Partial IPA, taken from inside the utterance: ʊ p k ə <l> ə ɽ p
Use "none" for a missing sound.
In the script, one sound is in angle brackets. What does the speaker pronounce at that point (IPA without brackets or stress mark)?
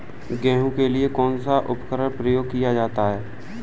ɾ